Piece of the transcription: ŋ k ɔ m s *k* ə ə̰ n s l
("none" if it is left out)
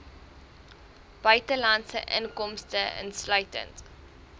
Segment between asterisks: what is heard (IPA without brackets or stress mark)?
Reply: t